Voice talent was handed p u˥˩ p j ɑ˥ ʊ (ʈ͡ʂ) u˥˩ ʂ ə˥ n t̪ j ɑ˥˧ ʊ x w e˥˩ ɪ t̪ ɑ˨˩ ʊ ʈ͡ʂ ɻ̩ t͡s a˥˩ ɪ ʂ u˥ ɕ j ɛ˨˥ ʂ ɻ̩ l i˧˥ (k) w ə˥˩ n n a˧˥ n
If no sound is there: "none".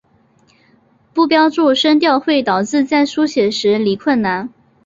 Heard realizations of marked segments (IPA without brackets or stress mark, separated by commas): ʈ͡ʂ, kʰ